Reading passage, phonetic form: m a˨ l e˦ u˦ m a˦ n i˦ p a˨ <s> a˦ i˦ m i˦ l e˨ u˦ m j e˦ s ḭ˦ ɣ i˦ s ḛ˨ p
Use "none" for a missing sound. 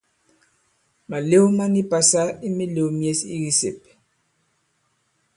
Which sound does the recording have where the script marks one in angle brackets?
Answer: s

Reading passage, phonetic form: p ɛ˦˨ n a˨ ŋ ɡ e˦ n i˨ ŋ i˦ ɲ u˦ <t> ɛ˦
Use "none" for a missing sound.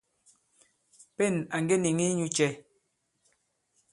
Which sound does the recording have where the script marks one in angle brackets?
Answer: t͡ʃ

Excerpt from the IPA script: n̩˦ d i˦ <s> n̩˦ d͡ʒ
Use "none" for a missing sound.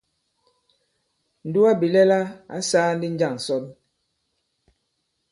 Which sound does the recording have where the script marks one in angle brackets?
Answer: none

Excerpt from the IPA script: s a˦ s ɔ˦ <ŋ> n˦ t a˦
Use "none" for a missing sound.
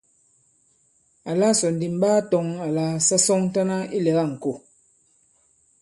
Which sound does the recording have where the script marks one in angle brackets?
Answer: ŋ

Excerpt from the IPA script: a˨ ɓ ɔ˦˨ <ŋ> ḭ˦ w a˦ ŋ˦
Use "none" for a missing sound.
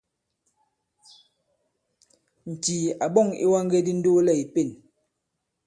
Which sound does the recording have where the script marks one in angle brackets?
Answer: ŋ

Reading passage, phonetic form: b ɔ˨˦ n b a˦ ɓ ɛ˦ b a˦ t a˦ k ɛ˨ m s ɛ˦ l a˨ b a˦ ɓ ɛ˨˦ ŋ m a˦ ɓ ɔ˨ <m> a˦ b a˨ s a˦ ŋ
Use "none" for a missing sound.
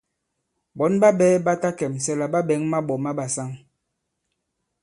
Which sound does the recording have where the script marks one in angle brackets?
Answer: m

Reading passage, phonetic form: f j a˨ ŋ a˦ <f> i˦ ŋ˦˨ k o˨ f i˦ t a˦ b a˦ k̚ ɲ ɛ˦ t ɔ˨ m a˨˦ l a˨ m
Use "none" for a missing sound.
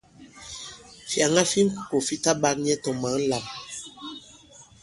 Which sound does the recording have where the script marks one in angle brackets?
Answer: f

